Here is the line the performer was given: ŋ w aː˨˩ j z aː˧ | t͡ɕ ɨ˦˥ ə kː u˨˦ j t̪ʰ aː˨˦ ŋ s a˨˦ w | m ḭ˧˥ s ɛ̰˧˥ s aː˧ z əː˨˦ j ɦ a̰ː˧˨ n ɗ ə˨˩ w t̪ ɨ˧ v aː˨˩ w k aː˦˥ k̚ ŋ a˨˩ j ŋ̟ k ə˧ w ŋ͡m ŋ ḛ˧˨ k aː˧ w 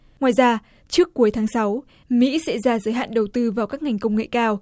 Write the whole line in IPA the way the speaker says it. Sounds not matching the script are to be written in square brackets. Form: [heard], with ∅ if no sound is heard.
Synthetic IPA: ŋ w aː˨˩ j z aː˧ | t͡ɕ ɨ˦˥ ə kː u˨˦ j t̪ʰ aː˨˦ ŋ s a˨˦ w | m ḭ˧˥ s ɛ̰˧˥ [z] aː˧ z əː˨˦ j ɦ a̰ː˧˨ n ɗ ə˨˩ w t̪ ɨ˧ v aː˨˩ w k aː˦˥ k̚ ŋ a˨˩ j ŋ̟ k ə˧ w ŋ͡m ŋ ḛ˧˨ k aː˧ w